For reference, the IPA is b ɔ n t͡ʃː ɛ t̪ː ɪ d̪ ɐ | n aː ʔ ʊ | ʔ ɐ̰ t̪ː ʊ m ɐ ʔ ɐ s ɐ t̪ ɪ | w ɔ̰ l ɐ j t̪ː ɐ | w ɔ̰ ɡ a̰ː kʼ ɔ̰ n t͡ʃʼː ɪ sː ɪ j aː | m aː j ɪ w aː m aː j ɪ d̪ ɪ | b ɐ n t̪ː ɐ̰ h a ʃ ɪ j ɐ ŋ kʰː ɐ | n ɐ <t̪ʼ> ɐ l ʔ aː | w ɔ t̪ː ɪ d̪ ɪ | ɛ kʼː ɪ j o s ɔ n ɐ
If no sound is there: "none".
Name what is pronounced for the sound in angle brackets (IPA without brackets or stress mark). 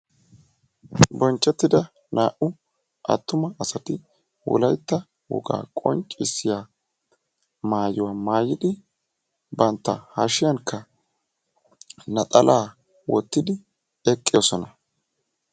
t̪ʼ